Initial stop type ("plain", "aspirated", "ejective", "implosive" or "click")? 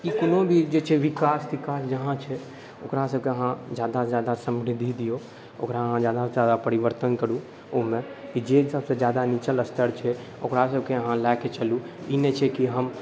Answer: plain